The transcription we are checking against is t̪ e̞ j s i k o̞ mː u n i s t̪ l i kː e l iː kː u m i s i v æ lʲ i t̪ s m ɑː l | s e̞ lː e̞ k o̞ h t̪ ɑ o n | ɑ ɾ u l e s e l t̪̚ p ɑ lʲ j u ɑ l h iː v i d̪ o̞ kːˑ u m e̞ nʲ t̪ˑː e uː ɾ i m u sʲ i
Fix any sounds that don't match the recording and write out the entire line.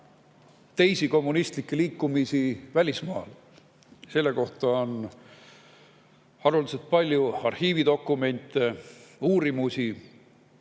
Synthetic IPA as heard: t̪ e̞ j s i k o̞ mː u n i s t̪ l i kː e l iː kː u m i s i v æ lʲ i s m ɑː l | s e̞ lː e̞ k o̞ h t̪ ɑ o n | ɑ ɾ u l i s e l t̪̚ p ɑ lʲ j u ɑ r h iː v i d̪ o̞ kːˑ u m e̞ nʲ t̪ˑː e uː ɾ i m u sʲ i